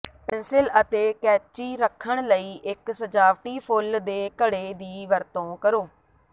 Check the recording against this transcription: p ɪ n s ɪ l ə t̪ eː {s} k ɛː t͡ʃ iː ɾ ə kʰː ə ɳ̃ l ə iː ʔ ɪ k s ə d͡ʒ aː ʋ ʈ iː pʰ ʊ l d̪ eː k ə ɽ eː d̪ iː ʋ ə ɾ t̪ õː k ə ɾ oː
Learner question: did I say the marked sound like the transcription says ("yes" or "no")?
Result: no